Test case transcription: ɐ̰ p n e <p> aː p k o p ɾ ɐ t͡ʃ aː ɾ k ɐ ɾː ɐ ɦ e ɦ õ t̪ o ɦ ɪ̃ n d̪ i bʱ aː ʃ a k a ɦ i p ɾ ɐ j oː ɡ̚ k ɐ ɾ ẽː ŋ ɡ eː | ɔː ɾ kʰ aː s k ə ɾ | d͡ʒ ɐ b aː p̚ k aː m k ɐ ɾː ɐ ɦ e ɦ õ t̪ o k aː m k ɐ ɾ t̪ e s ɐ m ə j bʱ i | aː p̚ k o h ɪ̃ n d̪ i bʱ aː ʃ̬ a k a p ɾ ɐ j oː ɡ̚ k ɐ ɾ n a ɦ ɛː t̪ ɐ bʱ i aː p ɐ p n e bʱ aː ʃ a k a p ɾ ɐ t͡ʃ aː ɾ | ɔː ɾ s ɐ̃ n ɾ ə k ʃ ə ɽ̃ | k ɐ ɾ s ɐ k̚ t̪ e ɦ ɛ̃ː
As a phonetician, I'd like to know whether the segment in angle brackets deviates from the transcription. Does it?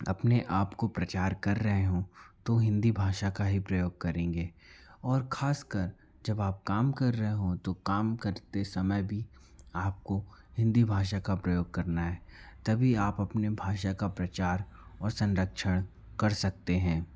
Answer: yes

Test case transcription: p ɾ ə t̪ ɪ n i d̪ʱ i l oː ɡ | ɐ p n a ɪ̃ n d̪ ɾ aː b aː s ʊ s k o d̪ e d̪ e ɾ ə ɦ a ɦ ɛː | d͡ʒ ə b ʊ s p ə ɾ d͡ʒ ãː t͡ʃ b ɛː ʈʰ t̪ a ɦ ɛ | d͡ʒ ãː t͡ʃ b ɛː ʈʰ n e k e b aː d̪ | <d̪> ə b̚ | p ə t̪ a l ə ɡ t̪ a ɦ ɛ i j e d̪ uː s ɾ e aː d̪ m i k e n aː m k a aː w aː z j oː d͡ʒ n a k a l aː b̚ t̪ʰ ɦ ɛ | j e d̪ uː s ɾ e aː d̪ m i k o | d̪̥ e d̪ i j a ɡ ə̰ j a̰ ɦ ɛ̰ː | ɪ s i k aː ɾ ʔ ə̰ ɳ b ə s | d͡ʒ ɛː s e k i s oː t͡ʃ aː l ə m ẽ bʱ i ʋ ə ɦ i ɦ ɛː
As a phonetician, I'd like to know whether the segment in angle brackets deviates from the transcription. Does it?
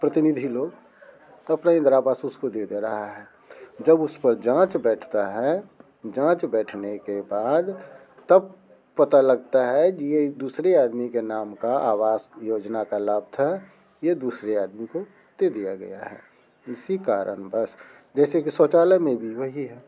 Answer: yes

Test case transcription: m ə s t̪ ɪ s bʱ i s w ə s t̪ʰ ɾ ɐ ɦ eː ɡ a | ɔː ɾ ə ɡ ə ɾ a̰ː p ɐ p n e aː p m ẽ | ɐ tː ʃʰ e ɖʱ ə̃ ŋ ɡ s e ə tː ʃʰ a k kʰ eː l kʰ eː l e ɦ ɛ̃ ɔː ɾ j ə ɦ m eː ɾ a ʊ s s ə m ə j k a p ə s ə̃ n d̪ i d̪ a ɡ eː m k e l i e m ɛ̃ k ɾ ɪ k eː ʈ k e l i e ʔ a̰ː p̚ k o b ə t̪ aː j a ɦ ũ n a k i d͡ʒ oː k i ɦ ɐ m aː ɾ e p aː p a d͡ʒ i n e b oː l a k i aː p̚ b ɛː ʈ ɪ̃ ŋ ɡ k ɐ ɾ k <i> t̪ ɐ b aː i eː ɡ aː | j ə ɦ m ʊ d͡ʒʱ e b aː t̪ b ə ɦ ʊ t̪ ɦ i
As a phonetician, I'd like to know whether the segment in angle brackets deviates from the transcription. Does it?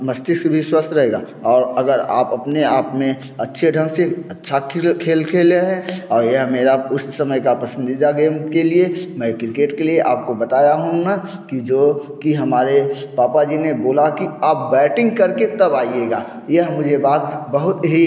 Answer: yes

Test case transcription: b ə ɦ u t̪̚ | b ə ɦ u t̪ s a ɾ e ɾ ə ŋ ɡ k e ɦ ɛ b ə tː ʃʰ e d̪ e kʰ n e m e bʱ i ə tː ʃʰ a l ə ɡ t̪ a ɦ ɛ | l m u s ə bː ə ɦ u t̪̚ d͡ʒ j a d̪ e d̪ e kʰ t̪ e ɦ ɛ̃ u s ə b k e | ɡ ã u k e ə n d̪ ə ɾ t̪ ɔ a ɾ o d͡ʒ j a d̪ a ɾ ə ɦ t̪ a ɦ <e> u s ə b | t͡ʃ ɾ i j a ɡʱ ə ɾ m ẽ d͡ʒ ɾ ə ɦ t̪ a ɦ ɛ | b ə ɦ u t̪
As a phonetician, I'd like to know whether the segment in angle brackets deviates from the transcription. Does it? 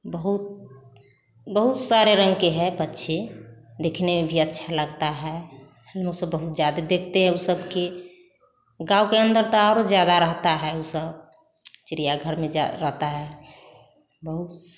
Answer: yes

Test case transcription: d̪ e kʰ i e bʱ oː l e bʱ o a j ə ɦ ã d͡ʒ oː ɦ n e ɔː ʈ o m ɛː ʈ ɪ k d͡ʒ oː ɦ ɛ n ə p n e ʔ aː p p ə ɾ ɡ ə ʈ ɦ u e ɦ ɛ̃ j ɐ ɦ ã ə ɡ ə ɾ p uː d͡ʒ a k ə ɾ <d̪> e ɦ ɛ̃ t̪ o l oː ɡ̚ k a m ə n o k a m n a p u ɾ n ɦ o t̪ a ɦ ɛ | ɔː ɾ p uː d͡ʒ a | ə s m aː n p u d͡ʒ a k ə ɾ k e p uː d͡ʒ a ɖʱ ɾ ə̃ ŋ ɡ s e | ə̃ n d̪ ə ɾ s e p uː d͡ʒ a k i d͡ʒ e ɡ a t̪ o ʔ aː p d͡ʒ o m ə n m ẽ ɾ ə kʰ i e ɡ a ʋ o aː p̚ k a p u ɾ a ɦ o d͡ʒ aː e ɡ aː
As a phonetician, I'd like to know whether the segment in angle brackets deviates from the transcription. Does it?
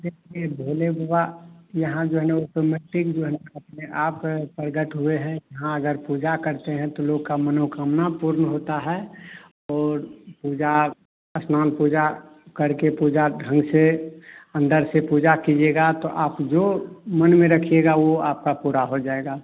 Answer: yes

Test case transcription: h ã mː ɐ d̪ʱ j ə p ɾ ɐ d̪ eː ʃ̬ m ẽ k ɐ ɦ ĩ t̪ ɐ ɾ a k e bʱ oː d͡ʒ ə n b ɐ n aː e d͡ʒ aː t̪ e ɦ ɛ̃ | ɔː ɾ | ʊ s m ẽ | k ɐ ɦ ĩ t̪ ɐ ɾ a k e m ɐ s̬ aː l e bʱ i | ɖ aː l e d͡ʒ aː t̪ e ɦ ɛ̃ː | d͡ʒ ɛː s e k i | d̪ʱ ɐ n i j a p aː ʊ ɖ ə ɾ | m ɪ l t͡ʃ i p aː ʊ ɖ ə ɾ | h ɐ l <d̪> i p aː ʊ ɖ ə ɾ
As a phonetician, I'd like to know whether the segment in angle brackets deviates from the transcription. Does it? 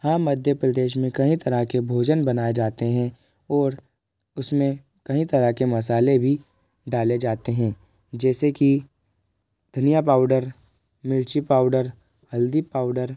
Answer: no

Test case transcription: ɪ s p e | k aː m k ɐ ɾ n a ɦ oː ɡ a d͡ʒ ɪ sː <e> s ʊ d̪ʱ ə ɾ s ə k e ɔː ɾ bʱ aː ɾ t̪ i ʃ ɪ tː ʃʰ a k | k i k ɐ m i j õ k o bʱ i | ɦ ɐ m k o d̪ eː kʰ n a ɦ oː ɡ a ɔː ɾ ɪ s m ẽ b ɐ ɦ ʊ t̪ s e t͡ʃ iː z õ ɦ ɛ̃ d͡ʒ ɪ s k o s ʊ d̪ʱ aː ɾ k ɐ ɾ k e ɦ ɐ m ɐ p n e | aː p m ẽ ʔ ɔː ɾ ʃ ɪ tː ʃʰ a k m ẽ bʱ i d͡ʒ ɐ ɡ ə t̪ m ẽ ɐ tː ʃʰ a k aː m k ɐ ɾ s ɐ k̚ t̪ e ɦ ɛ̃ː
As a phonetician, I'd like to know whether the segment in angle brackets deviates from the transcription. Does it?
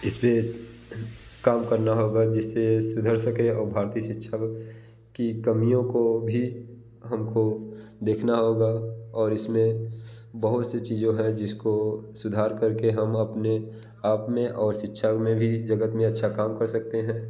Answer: no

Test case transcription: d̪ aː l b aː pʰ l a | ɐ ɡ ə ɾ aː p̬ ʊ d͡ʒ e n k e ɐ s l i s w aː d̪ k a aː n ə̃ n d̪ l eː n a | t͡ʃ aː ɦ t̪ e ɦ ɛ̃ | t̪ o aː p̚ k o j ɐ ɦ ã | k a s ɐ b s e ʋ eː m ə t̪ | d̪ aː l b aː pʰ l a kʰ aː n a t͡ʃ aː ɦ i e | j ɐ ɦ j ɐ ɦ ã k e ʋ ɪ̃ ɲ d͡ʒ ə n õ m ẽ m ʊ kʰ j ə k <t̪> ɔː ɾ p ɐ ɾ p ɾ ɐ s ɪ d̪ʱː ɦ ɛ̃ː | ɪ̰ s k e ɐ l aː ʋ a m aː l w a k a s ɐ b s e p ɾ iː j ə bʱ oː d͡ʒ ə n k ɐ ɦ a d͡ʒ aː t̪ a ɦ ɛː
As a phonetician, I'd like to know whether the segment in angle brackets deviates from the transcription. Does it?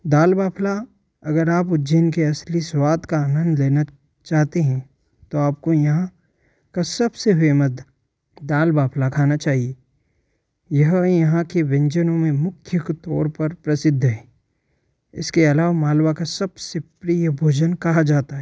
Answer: no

